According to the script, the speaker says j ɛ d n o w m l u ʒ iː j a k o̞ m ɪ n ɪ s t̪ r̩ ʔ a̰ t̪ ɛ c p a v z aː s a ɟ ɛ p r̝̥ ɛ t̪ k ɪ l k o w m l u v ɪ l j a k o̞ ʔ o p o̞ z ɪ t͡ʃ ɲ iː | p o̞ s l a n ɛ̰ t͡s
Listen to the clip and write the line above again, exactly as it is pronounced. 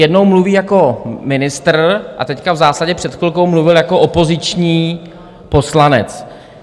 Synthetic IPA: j ɛ d n o w m l u v iː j a k o̞ m ɪ n ɪ s t̪ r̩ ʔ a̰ t̪ ɛ c k a v z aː s a ɟ ɛ p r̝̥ ɛ t̪ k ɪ l k o w m l u v ɪ l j a k o̞ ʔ o p o̞ z ɪ t͡ʃ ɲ iː | p o̞ s l a n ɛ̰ t͡s